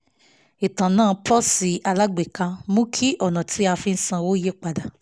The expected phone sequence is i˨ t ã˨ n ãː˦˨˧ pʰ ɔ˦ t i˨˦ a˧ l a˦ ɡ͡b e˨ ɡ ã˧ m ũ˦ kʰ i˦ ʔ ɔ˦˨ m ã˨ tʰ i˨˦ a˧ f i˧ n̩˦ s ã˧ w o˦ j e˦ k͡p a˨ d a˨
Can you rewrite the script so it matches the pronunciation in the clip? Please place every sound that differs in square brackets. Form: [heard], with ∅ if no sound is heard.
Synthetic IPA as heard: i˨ t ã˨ n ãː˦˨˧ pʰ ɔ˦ [s] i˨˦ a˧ l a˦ ɡ͡b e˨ [k] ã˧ m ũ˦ kʰ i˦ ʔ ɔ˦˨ [n] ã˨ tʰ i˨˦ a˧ f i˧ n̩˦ s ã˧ w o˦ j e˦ k͡p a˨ d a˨